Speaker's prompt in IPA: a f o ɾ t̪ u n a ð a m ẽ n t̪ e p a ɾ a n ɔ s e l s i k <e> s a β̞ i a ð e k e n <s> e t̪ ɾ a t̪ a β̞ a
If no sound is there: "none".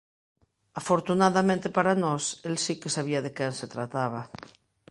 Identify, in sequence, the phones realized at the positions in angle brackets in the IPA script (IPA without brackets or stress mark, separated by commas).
e, s